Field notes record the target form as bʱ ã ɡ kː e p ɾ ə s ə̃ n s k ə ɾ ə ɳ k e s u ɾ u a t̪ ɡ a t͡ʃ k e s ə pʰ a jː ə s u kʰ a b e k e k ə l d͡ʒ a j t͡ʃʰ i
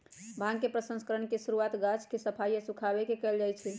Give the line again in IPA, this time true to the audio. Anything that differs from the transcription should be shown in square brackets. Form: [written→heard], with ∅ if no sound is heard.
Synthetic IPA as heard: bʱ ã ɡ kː e p ɾ ə s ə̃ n s k ə ɾ ə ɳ k e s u ɾ u a t̪ ɡ a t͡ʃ k e s ə pʰ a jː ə s u kʰ a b e k e k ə l d͡ʒ a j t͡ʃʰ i